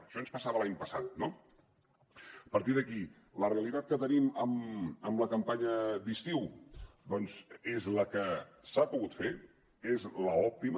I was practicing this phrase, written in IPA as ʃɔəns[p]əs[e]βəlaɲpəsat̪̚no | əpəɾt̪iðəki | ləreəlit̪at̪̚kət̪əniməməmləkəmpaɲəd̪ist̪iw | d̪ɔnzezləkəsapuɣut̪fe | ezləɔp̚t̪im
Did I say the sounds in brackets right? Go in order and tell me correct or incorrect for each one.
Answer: correct, incorrect

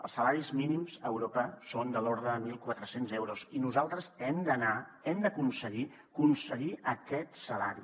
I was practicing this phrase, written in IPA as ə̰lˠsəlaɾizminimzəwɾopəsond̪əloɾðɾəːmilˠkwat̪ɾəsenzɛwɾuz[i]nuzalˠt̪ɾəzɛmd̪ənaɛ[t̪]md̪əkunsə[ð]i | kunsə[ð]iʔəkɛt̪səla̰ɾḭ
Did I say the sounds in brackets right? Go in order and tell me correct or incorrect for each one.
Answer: correct, incorrect, incorrect, incorrect

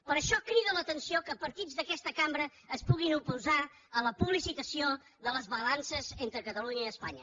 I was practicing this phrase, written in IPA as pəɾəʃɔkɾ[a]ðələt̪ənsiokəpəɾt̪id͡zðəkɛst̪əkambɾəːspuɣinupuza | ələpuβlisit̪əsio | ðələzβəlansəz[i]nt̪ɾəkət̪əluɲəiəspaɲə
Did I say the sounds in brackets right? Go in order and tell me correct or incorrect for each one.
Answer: incorrect, incorrect

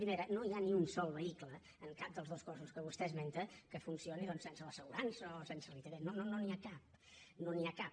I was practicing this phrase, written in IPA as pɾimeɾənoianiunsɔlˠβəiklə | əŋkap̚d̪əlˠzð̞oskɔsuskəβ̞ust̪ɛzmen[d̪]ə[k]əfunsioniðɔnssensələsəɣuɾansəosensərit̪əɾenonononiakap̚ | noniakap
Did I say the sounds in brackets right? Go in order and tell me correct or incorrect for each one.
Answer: incorrect, correct

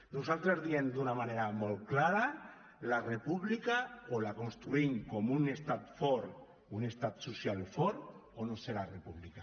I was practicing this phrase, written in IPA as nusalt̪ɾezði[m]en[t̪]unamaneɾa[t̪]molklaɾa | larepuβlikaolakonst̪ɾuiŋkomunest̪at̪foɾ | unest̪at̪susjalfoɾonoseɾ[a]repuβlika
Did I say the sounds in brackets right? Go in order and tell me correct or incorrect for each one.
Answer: incorrect, incorrect, incorrect, correct

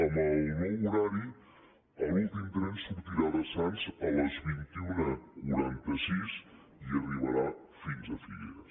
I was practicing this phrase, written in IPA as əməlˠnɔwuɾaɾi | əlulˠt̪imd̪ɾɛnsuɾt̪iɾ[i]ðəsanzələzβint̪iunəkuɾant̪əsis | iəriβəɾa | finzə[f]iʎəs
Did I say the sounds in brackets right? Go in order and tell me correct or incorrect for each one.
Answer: incorrect, correct

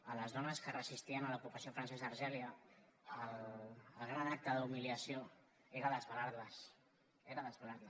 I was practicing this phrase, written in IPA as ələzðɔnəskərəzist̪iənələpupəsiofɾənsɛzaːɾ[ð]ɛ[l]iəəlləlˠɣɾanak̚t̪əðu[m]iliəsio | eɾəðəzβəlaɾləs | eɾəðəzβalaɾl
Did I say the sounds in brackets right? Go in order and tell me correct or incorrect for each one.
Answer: incorrect, correct, correct

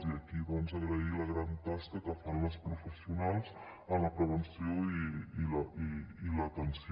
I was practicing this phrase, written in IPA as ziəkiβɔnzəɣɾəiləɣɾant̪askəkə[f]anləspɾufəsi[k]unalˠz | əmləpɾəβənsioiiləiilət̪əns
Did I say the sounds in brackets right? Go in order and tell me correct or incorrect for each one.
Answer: correct, incorrect

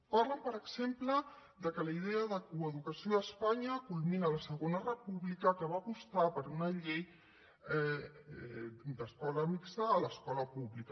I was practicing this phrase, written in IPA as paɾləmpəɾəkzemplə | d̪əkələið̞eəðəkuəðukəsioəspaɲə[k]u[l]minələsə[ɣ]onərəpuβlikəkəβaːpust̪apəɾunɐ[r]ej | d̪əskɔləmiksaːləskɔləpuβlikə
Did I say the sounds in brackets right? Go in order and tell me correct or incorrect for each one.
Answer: correct, correct, correct, incorrect

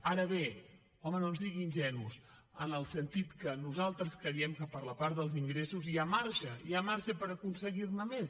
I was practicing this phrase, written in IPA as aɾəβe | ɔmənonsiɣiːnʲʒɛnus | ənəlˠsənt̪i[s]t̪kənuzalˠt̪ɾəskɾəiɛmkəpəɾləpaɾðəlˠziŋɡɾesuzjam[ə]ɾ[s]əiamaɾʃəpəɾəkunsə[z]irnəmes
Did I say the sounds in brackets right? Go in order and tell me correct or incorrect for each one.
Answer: incorrect, incorrect, incorrect, incorrect

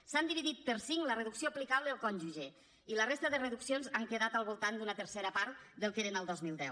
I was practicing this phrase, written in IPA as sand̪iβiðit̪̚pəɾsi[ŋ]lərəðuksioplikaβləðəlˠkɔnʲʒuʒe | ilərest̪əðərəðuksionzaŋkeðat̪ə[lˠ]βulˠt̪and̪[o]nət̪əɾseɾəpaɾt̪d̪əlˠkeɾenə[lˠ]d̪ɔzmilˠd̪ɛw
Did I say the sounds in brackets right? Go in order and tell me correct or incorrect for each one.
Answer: correct, correct, incorrect, correct

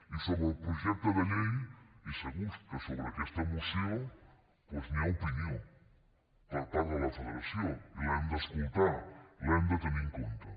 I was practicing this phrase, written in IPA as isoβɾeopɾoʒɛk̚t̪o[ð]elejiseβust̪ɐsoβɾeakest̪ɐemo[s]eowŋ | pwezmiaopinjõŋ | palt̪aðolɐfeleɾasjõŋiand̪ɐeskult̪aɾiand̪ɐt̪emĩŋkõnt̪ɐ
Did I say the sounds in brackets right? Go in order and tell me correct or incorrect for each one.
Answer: correct, correct

